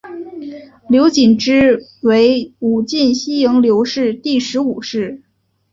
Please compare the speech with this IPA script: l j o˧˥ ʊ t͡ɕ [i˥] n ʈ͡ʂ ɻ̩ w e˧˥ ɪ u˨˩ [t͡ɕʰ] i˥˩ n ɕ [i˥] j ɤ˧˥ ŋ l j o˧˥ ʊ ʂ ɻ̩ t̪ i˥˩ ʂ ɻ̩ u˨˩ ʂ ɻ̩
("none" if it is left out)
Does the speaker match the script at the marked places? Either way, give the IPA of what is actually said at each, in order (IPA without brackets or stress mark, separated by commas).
i˨˩, t͡ɕ, i˥